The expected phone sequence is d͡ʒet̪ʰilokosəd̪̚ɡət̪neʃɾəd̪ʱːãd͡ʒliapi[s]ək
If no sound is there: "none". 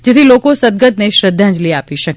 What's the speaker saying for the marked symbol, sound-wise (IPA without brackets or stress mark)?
ʃ